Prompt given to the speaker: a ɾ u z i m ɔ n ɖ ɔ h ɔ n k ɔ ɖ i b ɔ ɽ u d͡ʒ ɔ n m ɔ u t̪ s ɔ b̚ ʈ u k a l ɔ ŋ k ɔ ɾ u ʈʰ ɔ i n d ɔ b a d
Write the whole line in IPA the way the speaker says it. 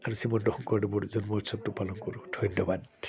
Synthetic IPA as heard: a ɾ u s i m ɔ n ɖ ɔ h ɔ ŋ k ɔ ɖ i b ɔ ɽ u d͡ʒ ɔ n m ɔ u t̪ s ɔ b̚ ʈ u p a l ɔ ŋ k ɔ ɾ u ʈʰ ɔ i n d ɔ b a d